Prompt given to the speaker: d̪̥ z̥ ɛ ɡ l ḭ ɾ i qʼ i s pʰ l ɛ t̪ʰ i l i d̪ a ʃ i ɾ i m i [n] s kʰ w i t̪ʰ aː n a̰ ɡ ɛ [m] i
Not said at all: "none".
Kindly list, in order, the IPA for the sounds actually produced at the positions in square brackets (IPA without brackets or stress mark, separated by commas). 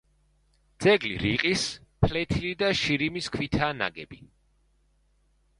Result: none, b